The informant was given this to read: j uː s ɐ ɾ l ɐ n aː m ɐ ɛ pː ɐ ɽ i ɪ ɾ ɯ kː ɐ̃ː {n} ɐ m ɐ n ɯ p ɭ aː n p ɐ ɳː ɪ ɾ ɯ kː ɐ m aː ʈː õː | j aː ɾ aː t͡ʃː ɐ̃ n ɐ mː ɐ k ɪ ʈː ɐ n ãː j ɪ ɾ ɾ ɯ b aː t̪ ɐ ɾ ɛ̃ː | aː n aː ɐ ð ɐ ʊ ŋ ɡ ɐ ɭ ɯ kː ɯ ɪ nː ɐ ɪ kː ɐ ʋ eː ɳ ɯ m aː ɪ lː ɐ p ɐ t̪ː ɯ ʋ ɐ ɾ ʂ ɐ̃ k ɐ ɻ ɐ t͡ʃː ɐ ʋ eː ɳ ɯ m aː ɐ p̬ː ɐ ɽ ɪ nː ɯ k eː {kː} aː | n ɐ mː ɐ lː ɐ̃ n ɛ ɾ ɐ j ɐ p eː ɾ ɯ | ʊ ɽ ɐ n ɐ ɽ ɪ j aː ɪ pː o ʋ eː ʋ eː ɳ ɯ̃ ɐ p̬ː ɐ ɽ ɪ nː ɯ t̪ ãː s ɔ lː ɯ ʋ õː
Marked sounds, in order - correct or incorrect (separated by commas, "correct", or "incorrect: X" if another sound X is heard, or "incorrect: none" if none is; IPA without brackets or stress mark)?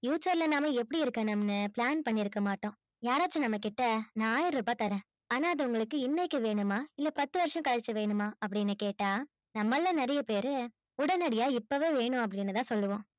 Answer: correct, incorrect: ʈː